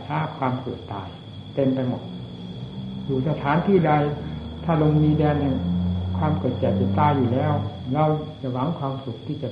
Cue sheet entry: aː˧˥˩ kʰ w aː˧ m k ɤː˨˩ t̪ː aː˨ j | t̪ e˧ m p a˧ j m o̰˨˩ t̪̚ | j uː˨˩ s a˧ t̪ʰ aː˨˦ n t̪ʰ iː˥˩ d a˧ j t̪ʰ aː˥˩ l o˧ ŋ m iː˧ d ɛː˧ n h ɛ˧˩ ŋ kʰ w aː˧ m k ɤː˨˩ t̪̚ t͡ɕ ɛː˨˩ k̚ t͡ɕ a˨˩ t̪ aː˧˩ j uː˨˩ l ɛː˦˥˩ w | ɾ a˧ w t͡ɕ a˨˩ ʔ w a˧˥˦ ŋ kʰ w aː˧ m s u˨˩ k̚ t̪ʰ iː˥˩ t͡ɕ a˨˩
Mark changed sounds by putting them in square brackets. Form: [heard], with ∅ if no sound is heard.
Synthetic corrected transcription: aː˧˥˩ kʰ w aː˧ m k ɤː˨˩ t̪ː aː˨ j | t̪ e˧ m p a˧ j m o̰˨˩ t̪̚ | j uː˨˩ s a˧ t̪ʰ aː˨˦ n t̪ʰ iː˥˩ d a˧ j t̪ʰ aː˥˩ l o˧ ŋ m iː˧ d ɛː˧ n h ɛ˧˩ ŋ kʰ w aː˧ m k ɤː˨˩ t̪̚ t͡ɕ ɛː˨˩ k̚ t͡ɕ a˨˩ t̪ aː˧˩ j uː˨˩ l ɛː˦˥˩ w | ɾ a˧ w t͡ɕ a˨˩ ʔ w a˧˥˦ ŋ kʰ w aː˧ m s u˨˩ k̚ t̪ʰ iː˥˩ t͡ɕ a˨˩